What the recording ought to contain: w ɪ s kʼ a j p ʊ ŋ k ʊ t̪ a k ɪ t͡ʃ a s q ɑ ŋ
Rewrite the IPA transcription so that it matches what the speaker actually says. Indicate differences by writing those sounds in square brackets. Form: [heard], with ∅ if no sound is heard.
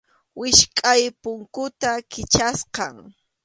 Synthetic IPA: w ɪ [ʃ] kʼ a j p ʊ ŋ k ʊ t̪ a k ɪ t͡ʃ a s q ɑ ŋ